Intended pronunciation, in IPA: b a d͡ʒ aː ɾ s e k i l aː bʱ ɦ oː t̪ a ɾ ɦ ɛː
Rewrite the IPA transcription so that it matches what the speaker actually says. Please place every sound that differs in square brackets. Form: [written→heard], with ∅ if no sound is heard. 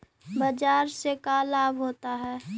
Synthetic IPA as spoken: b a d͡ʒ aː ɾ s e k [i→a] l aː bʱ ɦ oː t̪ a [ɾ→∅] ɦ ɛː

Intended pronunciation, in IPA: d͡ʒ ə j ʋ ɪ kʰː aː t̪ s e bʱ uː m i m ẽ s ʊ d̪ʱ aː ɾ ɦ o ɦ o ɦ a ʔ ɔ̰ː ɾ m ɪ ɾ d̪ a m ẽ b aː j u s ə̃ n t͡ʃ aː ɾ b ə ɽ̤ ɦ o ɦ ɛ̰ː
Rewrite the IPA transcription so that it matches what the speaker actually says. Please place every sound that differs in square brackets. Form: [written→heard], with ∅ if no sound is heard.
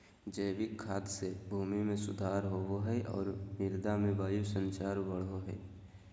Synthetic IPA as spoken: d͡ʒ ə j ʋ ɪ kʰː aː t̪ s e bʱ uː m i m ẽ s ʊ d̪ʱ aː ɾ ɦ o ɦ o ɦ [a→ɛ] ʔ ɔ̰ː ɾ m ɪ ɾ d̪ a m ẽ b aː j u s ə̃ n t͡ʃ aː ɾ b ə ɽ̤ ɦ o ɦ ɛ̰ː

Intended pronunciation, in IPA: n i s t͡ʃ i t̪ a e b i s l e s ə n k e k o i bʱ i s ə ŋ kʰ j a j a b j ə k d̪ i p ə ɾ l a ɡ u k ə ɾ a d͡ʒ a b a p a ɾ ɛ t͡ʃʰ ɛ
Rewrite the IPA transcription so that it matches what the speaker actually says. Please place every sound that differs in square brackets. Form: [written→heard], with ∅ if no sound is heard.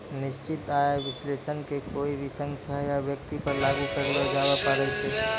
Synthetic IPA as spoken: n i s t͡ʃ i t̪ a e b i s l e s ə n k e k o i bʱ i s ə ŋ kʰ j a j a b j ə k [d̪→t̪] i p ə ɾ l a ɡ u k ə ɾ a d͡ʒ a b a p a ɾ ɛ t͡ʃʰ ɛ

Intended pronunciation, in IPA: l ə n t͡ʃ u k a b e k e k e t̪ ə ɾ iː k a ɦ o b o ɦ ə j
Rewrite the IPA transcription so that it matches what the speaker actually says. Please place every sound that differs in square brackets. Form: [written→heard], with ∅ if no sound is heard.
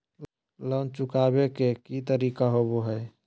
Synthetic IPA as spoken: l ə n t͡ʃ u k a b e k e k [e→i] t̪ ə ɾ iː k a ɦ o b o ɦ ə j

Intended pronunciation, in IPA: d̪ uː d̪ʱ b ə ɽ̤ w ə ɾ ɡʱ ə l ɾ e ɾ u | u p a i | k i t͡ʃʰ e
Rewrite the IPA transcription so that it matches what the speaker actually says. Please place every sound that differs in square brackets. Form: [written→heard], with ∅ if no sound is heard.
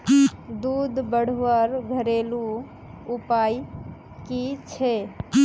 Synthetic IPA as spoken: d̪ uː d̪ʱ b ə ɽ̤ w ə ɾ ɡʱ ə [l→∅] ɾ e [ɾ→l] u | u p a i | k i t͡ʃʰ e

